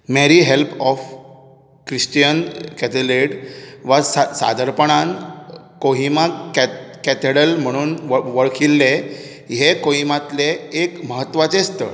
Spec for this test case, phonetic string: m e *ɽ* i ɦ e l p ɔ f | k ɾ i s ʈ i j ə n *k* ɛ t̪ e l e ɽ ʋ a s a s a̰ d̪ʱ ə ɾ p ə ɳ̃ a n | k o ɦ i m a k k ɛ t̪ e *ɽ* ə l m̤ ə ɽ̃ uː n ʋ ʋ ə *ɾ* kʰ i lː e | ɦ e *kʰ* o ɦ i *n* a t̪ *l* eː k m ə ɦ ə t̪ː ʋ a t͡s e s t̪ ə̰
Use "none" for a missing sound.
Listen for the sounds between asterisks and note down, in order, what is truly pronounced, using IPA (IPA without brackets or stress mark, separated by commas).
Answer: ɾ, k, ɽ, ɭ, k, m, l